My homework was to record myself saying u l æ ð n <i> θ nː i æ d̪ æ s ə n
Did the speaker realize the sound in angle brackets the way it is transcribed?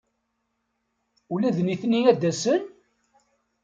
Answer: yes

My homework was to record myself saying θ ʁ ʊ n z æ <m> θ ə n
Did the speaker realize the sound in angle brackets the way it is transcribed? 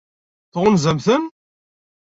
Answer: yes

